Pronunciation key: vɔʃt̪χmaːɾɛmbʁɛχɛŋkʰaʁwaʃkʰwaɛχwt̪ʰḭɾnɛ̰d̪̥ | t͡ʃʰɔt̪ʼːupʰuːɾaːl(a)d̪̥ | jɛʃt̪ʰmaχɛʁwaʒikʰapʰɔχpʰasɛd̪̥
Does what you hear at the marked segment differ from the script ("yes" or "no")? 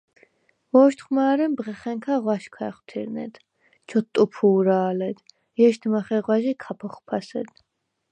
yes